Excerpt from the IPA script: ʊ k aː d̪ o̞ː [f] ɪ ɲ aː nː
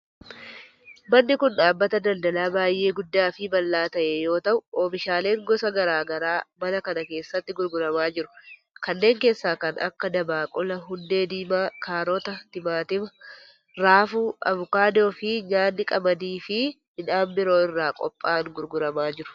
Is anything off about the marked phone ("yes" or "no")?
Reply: no